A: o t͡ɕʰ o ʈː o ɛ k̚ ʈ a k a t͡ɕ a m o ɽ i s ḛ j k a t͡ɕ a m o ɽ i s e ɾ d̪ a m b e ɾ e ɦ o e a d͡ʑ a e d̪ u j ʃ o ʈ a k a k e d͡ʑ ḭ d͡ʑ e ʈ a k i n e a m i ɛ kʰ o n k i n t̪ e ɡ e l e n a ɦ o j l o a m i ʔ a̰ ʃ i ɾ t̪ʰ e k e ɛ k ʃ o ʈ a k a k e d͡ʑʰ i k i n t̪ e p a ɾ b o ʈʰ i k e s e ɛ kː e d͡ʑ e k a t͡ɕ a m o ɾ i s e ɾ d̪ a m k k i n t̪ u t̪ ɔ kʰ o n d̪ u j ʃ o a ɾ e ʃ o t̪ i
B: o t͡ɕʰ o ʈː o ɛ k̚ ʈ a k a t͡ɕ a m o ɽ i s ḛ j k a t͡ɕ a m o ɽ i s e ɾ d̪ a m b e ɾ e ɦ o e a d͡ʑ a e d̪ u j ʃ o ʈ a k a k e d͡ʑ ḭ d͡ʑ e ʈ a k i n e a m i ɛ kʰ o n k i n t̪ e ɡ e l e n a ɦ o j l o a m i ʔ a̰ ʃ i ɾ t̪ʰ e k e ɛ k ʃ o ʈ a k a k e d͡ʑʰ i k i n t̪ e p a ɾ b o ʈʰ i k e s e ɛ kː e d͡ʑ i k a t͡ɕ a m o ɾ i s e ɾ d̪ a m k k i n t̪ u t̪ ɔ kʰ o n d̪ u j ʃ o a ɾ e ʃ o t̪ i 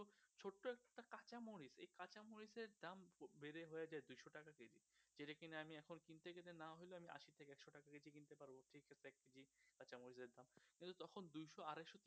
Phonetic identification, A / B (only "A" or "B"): B